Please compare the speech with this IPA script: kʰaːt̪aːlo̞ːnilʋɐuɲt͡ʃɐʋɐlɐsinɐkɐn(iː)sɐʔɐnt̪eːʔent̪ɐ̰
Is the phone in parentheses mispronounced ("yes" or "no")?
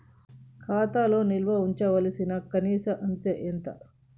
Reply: no